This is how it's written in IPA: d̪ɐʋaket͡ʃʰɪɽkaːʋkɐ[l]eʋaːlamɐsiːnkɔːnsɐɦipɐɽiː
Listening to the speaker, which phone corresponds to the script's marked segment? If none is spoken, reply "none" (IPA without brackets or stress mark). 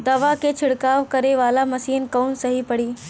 ɾ